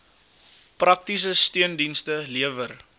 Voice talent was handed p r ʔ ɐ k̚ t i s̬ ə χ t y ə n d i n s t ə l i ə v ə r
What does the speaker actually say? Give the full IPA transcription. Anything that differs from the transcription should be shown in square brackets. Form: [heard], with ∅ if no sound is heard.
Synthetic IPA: p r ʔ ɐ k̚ t i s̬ ə [s] t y ə n d i n s t ə l i ə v ə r